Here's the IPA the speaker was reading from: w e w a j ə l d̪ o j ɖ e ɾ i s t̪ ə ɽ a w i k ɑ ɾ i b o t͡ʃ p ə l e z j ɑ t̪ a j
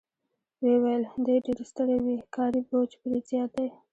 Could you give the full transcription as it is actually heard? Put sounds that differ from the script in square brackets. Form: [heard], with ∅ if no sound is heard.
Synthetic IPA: w e w a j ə l d̪ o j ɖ e ɾ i s t̪ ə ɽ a w i k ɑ ɾ i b o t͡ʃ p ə [ɾ] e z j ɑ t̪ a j